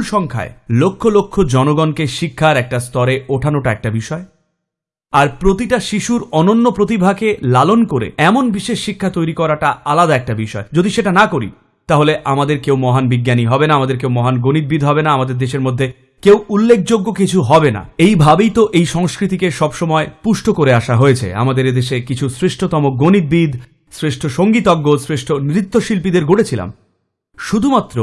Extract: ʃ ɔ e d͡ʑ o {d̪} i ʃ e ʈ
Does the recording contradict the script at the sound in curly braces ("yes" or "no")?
no